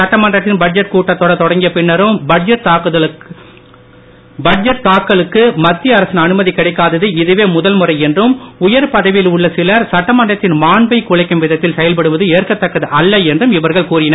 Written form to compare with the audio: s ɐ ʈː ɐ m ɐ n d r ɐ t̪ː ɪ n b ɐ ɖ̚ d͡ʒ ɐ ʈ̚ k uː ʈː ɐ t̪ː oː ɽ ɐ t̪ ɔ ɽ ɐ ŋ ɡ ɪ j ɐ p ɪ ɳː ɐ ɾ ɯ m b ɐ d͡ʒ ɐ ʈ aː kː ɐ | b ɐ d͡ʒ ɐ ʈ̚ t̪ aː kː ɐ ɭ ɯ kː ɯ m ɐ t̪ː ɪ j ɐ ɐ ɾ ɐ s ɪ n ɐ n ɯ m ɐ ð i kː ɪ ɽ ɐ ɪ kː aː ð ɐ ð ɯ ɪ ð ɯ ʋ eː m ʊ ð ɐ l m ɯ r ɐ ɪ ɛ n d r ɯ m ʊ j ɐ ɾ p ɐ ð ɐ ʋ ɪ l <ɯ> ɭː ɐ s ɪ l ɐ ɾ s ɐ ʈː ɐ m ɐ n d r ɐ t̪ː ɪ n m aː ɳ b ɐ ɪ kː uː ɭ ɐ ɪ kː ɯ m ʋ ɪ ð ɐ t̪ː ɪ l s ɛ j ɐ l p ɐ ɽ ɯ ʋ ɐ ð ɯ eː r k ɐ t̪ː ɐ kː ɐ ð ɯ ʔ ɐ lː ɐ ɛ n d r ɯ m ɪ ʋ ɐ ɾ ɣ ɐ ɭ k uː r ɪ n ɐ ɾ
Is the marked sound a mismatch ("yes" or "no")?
yes